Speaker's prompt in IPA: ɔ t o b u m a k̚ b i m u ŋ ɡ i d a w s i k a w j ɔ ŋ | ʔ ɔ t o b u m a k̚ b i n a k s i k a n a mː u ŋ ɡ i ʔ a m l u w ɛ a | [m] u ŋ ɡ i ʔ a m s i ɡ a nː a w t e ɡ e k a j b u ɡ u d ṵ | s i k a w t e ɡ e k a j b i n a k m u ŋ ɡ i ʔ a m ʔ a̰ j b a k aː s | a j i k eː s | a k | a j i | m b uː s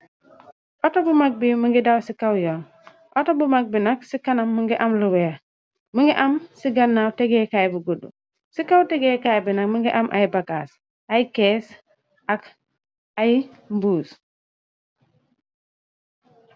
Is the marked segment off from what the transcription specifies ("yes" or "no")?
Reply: no